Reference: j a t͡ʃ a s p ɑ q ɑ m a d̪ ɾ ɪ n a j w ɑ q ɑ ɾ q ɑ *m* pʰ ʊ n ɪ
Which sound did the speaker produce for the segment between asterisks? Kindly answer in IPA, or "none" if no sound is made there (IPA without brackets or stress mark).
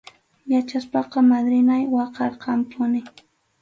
m